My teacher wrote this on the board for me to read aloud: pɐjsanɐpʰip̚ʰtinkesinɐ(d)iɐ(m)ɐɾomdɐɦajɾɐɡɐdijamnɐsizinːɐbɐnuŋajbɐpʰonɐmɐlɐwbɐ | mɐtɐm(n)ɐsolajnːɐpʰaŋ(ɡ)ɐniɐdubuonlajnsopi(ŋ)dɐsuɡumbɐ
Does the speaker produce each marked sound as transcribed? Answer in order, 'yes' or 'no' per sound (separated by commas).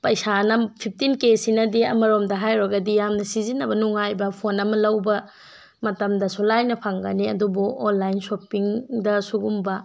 yes, yes, no, yes, yes